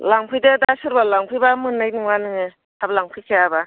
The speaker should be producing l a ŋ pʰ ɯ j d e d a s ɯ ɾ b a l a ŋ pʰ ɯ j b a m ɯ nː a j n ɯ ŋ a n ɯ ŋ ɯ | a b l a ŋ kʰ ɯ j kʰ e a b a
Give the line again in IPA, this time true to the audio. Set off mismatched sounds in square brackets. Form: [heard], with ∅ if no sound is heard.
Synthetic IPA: l a ŋ pʰ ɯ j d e d a s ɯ ɾ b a l a ŋ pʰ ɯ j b a m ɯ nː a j n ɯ ŋ a n ɯ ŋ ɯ | a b l a ŋ [pʰ] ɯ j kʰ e a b a